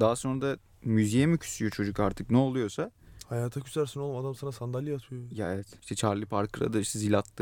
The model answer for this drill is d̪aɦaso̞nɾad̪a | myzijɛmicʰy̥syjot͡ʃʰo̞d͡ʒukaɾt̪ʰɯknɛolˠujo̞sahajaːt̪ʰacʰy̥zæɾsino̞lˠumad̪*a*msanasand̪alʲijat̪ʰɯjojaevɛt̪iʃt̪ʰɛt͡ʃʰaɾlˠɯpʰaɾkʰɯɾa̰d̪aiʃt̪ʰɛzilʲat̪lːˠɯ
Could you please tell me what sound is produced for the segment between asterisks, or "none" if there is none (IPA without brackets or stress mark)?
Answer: a